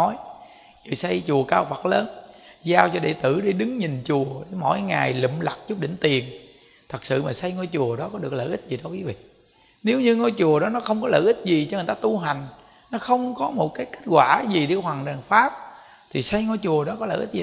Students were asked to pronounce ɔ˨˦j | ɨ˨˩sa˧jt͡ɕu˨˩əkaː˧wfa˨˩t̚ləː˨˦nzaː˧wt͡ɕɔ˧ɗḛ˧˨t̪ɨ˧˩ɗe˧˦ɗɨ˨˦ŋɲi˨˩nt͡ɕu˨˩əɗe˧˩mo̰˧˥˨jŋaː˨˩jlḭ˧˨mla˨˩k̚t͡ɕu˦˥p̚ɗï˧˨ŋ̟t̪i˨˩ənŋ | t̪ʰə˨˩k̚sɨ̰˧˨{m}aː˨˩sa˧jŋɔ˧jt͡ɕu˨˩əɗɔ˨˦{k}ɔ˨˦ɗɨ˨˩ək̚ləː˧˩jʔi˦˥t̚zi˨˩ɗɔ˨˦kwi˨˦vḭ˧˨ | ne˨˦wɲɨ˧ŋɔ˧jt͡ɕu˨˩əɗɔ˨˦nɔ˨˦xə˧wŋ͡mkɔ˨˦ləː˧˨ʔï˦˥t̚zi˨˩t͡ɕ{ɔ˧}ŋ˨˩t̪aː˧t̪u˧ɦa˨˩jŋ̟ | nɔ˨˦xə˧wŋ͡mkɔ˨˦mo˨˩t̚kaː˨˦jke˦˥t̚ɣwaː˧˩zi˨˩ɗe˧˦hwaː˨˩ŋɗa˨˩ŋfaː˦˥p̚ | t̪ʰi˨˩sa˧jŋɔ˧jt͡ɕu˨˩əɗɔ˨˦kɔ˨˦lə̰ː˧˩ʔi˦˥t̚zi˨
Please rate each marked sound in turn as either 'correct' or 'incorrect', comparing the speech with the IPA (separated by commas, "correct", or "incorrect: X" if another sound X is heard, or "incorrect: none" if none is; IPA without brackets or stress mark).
correct, correct, correct